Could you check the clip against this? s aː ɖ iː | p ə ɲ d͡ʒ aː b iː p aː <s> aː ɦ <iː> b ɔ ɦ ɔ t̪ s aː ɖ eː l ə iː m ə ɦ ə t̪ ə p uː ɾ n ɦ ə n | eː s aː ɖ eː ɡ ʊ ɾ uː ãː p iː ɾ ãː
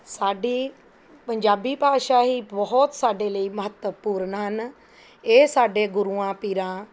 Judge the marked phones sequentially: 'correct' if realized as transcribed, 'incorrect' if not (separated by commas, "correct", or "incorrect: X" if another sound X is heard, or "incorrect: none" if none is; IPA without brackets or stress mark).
incorrect: ʃ, correct